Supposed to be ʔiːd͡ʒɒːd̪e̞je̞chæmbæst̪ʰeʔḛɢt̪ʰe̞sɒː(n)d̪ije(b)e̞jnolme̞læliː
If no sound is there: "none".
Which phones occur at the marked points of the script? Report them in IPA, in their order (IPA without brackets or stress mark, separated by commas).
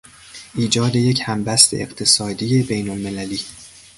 none, b